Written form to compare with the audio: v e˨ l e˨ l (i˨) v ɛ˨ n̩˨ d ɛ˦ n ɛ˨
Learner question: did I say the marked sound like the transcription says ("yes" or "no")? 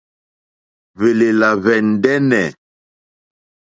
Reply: no